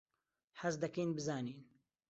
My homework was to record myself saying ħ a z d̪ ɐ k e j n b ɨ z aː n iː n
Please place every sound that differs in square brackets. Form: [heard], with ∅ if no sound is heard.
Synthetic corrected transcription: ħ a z d̪ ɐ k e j n b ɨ z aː n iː n